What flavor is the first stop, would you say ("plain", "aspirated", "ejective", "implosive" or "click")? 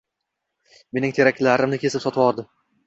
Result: aspirated